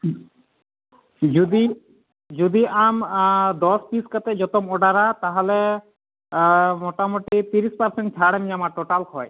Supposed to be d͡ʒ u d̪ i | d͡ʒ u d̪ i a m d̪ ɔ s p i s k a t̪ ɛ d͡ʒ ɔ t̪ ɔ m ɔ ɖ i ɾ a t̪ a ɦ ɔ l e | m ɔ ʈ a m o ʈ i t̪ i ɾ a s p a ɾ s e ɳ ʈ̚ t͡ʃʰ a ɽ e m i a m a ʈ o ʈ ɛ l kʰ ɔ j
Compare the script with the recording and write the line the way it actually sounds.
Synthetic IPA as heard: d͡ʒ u d̪ i | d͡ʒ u d̪ i a m d̪ ɔ s p i s k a t̪ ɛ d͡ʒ ɔ t̪ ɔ m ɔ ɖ a ɾ a t̪ a ɦ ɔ l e | m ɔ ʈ a m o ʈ i t̪ i ɾ i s p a ɾ s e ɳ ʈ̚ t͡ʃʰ a ɽ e m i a m a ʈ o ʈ a l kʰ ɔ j